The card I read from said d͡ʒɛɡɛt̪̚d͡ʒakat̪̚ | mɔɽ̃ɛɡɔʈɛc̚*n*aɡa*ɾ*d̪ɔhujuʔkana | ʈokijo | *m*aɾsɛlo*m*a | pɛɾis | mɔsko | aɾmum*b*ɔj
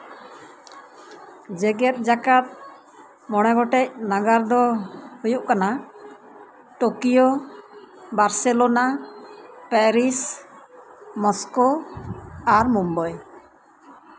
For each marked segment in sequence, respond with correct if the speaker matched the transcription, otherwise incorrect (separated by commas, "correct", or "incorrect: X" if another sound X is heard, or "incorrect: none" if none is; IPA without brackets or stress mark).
correct, correct, incorrect: b, incorrect: n, correct